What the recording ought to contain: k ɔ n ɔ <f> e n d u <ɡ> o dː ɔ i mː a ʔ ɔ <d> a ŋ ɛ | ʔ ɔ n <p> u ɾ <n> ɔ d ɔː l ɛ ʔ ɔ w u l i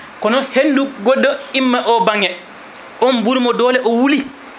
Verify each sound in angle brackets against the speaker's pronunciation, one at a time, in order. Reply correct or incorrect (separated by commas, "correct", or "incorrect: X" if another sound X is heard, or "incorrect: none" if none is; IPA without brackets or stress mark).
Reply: incorrect: h, correct, incorrect: b, incorrect: b, incorrect: m